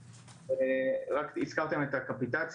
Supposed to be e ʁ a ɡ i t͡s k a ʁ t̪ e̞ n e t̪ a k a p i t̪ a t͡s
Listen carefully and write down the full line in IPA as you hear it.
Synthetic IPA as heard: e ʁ a k i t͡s k a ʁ t̪ e̞ m e t̪ a k a p i t̪ a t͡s